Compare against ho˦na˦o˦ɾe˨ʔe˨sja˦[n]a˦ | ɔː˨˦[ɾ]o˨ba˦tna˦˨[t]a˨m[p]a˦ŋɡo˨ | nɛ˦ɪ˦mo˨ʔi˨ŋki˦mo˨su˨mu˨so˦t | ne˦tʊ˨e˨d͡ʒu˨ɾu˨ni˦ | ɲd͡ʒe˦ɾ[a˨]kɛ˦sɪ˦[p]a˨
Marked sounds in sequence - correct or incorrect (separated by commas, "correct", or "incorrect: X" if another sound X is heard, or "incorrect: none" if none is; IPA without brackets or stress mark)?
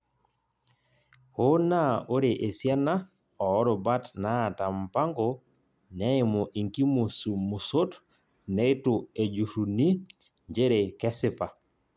correct, correct, correct, correct, incorrect: e˨, correct